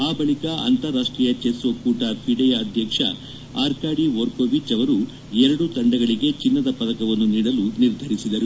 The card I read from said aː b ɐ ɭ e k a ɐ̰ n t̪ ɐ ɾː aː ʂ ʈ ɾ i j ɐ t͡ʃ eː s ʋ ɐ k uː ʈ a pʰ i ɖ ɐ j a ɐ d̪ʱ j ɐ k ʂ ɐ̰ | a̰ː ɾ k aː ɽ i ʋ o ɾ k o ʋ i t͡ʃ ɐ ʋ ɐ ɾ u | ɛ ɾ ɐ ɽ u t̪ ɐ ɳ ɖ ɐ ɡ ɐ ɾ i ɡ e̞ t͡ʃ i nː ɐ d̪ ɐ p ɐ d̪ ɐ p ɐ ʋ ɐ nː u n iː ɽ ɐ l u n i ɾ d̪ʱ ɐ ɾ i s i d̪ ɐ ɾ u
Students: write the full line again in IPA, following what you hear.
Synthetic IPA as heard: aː b ɐ ɭ i k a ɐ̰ n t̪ ɐ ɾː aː ʂ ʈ ɾ i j ɐ t͡ʃ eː s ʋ ɐ k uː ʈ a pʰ i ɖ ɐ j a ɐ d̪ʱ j ɐ k ʂ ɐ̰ | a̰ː ɾ k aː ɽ i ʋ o ɾ k o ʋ i t͡ʃ ɐ ʋ ɐ ɾ u | ɛ ɾ ɐ ɽ u t̪ ɐ ɳ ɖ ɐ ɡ ɐ ɭ i ɡ e̞ t͡ʃ i nː ɐ d̪ ɐ p ɐ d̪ ɐ k ɐ ʋ ɐ nː u n iː ɽ ɐ l u n i ɾ d̪ʱ ɐ ɾ i s i d̪ ɐ ɾ u

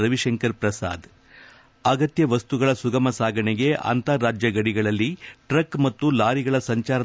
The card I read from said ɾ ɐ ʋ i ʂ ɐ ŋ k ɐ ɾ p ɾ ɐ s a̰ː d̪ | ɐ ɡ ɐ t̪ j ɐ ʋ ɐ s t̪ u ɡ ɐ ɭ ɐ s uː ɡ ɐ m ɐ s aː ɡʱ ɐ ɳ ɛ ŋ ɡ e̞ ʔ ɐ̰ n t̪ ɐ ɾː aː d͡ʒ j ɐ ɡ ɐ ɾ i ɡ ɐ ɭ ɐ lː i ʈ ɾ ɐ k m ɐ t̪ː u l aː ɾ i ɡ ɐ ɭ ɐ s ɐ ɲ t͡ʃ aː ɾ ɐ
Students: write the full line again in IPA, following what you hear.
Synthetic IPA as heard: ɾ ɐ ʋ i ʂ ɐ ŋ k ɐ ɾ p ɾ ɐ s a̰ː d̪ | ɐ ɡ ɐ t̪ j ɐ ʋ ɐ s t̪ u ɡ ɐ ɭ ɐ s u ɡ ɐ m ɐ s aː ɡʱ ɐ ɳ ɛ ɡ e̞ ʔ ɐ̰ n t̪ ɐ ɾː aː d͡ʒ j ɐ ɡ ɐ ɽ i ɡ ɐ ɭ ɐ lː i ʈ ɾ ɐ k m ɐ t̪ː u l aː ɾ i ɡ ɐ ɭ ɐ s ɐ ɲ t͡ʃ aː ɾ ɐ

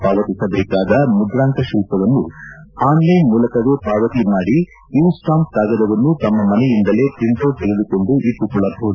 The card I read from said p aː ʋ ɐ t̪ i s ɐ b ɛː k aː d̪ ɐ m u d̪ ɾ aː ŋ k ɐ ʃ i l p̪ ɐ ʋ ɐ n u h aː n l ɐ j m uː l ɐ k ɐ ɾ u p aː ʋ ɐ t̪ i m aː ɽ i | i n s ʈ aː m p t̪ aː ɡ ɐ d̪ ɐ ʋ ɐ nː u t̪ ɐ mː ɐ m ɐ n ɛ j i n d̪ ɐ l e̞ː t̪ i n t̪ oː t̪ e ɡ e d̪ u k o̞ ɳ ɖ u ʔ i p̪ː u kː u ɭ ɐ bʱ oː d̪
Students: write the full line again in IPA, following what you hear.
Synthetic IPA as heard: p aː ʋ ɐ t̪ i s ɐ b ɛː k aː d̪ ɐ m u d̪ ɾ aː ŋ k ɐ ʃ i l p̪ ɐ ʋ ɐ nː u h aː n l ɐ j m uː l ɐ k ɐ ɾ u p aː ʋ ɐ t̪ i m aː ɽ i | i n s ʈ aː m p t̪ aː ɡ ɐ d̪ ɐ ʋ ɐ nː u t̪ ɐ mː ɐ m ɐ n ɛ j i n d̪ ɐ l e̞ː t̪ i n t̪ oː t̪ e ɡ e d̪ u k o̞ ɳ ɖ u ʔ i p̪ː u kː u ɭ ɐ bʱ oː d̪

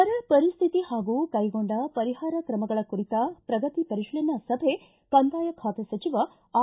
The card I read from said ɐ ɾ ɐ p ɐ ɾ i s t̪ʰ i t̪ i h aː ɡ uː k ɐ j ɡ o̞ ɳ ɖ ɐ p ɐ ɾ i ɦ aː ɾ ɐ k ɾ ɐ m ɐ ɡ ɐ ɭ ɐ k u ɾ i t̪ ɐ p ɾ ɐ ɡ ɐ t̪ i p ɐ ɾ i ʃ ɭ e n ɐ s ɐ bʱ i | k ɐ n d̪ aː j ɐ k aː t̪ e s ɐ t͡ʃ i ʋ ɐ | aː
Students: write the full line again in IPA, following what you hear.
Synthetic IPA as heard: ɐ ɾ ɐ p ɐ ɾ i s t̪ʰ i t̪ i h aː ɡ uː k ɐ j ɡ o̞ ɳ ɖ ɐ p ɐ ɾ i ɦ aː ɾ ɐ k ɾ ɐ m ɐ ɡ ɐ ɭ ɐ k u ɾ i t̪ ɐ p ɾ ɐ ɡ ɐ t̪ i p ɐ ɾ i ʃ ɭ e n ɐ s ɐ bʱ e | k ɐ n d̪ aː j ɐ kʰ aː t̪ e s ɐ t͡ʃ i ʋ ɐ | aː

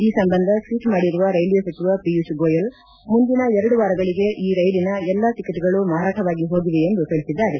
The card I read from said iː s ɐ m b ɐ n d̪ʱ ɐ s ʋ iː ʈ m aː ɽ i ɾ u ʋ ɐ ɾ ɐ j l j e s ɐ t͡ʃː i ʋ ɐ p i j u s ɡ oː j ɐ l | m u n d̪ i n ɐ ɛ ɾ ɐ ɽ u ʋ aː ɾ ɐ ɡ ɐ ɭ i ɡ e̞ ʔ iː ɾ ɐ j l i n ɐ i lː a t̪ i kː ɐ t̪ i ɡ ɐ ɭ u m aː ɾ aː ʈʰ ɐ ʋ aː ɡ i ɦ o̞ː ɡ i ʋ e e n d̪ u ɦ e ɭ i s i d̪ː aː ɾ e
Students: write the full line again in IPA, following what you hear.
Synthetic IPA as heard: iː s ɐ m b ɐ n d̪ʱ ɐ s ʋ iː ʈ m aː ɽ i ɾ u ʋ ɐ ɾ ɐ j l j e s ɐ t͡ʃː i ʋ ɐ p i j u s ɡ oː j ɐ l | m u n d̪ i n ɐ ɛ ɾ ɐ ɽ u ʋ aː ɾ ɐ ɡ ɐ ɭ i ɡ e̞ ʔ iː ɾ ɐ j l i n ɐ ɛ lː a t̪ i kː ɐ t̪ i ɡ ɐ ɭ u m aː ɾ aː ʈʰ ɐ ʋ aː ɡ i ɦ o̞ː ɡ i ʋ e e n d̪ u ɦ e ɭ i s i d̪ː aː ɾ e

